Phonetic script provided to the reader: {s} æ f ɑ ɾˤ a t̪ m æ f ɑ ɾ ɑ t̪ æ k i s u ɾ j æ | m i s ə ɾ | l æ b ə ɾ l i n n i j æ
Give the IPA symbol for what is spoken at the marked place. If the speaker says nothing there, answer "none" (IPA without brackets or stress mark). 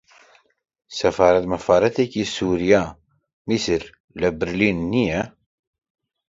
s